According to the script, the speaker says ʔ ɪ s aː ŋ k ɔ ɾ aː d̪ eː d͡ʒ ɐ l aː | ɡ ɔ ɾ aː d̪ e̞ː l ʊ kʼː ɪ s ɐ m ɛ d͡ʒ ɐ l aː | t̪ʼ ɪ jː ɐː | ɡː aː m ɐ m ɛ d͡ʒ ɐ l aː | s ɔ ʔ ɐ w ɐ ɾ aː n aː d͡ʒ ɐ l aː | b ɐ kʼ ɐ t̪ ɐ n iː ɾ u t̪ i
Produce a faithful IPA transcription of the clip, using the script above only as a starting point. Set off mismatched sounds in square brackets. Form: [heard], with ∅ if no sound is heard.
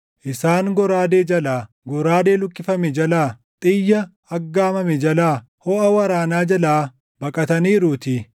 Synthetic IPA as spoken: ʔ ɪ s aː ŋ [ɡ] ɔ ɾ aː d̪ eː d͡ʒ ɐ l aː | ɡ ɔ ɾ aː d̪ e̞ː l ʊ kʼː ɪ [f] ɐ m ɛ d͡ʒ ɐ l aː | t̪ʼ ɪ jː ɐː | ɡː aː m ɐ m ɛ d͡ʒ ɐ l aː | [h] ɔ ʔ ɐ w ɐ ɾ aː n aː d͡ʒ ɐ l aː | b ɐ kʼ ɐ t̪ ɐ n iː ɾ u t̪ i